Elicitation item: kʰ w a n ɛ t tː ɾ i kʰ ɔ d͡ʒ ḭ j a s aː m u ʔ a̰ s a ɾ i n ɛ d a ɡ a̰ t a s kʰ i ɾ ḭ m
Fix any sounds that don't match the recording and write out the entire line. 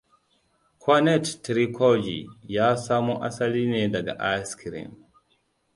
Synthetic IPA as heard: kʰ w a n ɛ t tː ɾ i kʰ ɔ d͡ʒ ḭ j a s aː m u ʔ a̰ s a l i n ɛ d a ɡ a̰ ʔ a s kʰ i ɾ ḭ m